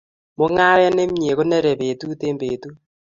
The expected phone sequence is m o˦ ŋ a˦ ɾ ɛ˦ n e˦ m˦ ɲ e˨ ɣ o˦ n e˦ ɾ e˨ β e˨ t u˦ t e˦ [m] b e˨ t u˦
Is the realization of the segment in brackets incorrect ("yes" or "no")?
no